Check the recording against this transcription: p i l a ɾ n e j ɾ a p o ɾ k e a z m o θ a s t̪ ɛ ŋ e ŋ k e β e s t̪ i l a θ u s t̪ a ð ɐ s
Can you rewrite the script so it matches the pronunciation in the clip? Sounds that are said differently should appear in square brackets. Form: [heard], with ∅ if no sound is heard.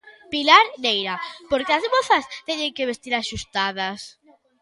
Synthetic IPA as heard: p i l a ɾ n e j ɾ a p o ɾ k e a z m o θ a s t̪ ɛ [ɲ] e ŋ k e β e s t̪ i [ɾ] a [ʃ] u s t̪ a ð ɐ s